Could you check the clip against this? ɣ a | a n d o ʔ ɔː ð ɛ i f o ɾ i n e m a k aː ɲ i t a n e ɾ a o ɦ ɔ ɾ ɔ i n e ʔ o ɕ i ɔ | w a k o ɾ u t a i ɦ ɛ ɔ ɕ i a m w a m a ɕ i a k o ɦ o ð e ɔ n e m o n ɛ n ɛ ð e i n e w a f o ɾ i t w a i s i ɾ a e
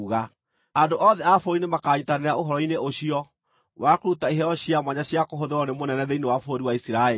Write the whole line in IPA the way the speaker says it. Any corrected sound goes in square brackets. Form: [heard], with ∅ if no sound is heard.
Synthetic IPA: ɣ a | a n d o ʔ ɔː ð ɛ [a] f o ɾ i n e m a k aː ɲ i t a n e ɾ a o ɦ ɔ ɾ ɔ i n e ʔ o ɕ i ɔ | w a k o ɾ u t a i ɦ ɛ ɔ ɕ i a m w a [ɲ] a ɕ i a k o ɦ o ð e ɔ n e m o n ɛ n ɛ ð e i n e w a f o ɾ i [∅] w a i s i ɾ a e